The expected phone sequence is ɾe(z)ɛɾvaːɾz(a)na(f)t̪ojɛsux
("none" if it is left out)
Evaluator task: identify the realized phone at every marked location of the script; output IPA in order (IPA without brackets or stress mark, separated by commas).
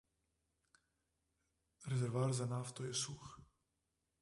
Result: z, a, f